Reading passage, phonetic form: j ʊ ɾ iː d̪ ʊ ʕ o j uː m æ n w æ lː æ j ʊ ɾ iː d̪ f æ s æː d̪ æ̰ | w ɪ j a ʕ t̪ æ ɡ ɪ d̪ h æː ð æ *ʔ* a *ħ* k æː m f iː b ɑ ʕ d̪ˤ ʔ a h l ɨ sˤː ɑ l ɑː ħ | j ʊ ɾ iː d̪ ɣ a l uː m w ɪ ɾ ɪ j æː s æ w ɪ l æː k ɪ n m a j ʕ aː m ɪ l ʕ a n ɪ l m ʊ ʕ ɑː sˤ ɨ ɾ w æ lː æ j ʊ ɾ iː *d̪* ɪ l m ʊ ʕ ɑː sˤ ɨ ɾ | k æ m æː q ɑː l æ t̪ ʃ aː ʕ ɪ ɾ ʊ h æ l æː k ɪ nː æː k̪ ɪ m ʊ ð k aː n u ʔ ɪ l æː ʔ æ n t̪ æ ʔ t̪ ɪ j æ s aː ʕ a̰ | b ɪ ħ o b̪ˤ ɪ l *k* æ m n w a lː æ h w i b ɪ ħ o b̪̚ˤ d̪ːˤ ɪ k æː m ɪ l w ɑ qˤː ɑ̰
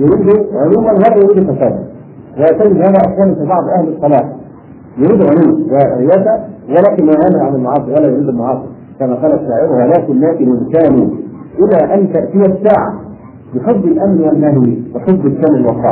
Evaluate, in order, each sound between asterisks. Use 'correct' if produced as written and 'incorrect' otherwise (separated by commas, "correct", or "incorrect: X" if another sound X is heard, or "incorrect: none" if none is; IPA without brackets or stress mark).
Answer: correct, correct, correct, incorrect: ʔ